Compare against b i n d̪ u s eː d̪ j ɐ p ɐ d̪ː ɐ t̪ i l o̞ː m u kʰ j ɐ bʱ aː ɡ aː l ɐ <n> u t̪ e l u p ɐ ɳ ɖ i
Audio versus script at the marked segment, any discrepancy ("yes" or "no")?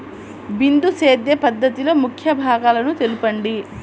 no